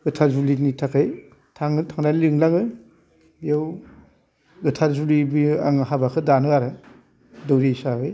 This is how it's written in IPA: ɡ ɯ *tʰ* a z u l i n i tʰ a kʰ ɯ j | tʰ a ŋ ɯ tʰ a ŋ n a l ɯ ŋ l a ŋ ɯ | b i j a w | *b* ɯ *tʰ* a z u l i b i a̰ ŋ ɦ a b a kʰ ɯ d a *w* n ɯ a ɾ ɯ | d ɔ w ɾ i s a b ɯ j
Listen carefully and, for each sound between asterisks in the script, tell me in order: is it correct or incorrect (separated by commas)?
correct, incorrect, correct, incorrect